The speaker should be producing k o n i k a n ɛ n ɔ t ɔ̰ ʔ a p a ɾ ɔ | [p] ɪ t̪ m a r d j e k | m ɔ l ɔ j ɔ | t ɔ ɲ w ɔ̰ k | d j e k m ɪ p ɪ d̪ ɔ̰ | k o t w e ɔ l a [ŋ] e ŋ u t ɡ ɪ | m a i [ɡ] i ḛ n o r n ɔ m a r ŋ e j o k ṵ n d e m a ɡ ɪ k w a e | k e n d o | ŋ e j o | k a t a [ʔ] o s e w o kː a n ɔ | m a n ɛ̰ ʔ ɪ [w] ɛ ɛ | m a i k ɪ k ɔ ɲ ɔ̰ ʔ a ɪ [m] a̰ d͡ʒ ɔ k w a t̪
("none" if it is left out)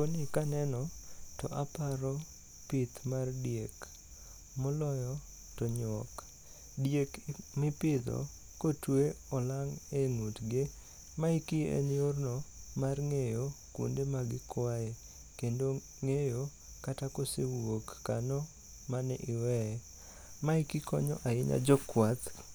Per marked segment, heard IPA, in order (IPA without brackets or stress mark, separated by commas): p, ŋ, k, k, w, ɲ